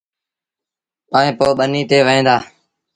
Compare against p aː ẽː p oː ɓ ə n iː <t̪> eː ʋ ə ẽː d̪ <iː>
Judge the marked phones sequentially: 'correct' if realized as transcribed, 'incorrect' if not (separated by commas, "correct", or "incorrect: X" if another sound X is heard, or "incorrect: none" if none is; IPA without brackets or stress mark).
correct, incorrect: aː